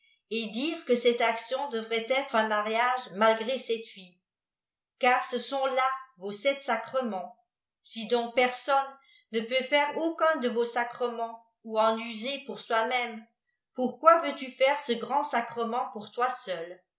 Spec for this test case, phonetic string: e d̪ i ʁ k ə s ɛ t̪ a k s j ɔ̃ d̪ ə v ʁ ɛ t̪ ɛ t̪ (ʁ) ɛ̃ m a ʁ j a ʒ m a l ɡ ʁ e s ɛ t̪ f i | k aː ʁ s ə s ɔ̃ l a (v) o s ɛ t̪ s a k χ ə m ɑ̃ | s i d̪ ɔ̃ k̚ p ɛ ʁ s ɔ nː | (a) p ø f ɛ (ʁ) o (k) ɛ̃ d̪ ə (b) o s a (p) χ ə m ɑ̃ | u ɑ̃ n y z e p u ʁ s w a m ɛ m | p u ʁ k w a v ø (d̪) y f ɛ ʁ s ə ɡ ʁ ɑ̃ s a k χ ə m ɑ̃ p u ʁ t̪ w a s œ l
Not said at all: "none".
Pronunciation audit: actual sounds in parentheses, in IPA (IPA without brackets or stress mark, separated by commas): χ, v, ə, ʁ, k, v, k, t̪